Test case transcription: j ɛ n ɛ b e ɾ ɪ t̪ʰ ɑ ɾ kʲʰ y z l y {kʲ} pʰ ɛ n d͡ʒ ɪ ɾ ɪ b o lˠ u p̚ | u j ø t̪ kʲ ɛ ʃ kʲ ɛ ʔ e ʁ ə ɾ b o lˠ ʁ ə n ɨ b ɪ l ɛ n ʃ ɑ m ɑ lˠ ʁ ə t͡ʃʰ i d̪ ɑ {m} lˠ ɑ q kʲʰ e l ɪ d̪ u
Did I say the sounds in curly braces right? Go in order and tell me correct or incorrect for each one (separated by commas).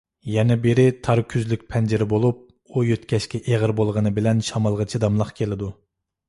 correct, correct